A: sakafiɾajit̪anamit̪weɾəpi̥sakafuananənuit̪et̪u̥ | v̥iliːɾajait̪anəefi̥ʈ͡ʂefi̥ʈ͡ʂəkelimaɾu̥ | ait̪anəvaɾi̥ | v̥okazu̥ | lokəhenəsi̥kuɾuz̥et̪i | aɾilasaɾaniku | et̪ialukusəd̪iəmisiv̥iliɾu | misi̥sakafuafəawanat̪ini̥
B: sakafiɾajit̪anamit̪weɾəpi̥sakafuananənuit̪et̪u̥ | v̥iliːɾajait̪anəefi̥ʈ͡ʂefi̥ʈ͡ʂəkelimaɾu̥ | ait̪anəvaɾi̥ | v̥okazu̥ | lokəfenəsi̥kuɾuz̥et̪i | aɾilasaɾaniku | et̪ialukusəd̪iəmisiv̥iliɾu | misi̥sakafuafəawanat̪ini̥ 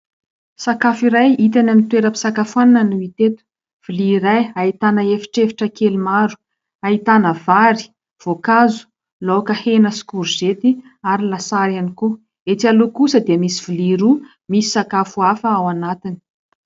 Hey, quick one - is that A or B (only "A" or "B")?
A